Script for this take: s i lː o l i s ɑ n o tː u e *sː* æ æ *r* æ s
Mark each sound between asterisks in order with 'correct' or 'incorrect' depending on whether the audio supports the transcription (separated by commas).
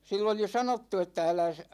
incorrect, incorrect